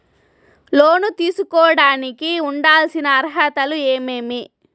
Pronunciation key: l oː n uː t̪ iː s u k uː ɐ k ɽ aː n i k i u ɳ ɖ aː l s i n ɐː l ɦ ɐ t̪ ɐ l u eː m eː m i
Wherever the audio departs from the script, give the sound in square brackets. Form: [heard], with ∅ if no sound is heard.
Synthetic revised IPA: l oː n [u] t̪ iː s u k [ɔː] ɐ [∅] ɽ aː n i k i u ɳ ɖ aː l s i n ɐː [ɾ] ɦ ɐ t̪ ɐ l u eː m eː m i